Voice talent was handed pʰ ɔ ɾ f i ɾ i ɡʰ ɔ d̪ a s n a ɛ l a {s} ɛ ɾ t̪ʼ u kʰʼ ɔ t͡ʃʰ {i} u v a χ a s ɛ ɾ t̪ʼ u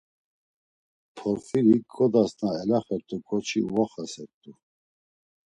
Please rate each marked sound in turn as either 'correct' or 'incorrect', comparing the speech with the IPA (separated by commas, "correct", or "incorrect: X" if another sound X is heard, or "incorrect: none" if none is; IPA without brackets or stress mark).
incorrect: χ, correct